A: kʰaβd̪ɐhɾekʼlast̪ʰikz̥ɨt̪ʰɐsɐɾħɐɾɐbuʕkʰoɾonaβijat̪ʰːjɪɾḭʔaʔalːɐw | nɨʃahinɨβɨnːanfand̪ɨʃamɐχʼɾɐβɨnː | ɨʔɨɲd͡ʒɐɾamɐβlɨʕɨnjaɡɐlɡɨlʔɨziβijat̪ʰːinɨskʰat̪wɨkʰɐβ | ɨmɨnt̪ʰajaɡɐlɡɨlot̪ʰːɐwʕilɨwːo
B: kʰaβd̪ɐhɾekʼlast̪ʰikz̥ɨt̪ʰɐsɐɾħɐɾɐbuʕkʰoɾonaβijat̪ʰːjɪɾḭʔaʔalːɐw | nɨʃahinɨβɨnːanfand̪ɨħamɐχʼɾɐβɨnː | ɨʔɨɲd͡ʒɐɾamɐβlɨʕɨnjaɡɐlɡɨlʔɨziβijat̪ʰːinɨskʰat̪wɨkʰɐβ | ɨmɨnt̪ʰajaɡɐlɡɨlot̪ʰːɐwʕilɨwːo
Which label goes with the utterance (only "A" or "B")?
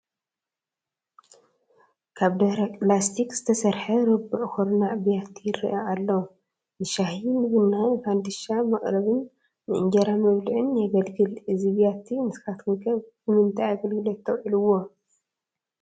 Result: A